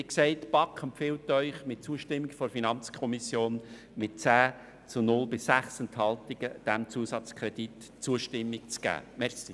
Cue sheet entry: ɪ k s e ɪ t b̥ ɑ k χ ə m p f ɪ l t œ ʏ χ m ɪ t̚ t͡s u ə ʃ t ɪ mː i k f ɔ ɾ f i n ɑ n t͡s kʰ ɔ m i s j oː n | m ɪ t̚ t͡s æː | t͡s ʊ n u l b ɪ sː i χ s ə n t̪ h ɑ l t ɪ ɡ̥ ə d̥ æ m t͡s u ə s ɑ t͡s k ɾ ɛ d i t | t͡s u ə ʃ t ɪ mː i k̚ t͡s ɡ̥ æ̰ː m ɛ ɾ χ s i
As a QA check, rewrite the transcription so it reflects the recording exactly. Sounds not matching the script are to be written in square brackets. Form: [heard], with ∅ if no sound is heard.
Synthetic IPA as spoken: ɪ k s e ɪ t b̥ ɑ k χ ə m p f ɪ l t œ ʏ χ m ɪ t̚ t͡s u ə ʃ t ɪ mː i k f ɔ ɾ f i n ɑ n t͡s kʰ ɔ m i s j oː n | m ɪ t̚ t͡s æː | t͡s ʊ n [ʊ] l b ɪ sː [æ] χ s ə n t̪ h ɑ l t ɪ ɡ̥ ə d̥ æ m t͡s u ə s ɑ t͡s k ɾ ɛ d i t | t͡s u ə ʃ t ɪ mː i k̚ t͡s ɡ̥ æ̰ː m ɛ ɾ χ s i